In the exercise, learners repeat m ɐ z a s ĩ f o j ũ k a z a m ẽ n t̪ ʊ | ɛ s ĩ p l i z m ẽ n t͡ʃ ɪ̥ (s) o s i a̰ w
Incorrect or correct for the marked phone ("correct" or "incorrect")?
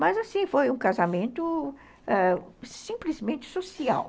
correct